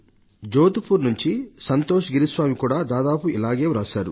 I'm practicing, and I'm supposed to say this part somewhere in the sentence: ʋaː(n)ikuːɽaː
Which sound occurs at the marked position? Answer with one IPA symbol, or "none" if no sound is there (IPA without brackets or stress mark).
m